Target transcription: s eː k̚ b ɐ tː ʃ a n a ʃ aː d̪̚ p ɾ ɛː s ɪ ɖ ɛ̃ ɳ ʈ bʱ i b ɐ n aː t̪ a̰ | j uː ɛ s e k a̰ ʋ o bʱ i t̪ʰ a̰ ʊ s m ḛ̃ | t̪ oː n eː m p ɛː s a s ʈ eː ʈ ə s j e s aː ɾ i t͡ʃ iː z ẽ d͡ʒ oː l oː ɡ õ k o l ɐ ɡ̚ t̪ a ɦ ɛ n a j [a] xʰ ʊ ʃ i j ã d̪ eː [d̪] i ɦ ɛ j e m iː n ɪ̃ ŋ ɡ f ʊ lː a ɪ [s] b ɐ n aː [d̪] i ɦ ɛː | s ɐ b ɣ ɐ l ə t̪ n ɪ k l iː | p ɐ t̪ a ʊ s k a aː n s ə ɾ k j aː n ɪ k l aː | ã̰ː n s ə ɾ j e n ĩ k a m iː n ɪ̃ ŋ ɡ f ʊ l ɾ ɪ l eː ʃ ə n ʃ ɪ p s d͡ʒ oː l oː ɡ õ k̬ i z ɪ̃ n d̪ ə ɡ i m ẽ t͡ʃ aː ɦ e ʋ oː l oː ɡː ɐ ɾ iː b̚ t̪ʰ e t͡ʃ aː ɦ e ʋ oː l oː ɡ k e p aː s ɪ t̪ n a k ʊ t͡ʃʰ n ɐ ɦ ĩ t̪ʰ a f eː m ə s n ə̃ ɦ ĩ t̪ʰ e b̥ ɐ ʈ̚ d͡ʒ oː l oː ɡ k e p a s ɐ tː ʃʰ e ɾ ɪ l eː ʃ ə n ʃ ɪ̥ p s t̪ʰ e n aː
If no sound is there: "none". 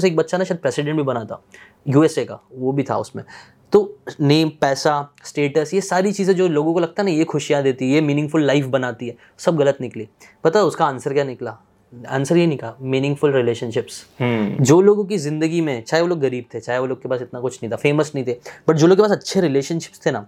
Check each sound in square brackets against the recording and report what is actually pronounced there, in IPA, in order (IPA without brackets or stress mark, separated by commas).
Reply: e, t̪, f, t̪